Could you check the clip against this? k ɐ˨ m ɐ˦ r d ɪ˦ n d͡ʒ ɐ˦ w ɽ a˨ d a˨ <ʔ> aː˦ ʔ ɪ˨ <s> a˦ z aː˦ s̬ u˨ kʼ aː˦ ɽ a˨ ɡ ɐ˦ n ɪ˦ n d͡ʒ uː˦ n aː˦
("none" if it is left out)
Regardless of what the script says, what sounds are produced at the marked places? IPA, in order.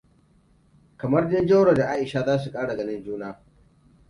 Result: ʔ, ʃ

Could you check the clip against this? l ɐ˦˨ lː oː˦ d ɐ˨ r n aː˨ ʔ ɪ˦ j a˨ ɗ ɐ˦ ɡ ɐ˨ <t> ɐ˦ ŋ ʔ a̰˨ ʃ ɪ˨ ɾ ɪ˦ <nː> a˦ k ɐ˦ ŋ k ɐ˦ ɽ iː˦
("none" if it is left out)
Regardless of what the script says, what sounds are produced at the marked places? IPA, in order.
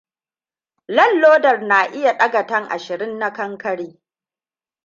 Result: t, nː

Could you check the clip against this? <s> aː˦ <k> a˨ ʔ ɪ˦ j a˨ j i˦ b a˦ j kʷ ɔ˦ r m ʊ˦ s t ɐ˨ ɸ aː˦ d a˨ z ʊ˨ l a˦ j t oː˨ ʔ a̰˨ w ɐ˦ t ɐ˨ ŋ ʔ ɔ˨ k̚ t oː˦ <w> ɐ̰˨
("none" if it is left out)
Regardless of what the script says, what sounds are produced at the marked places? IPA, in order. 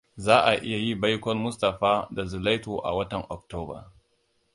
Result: z, ʔ, b

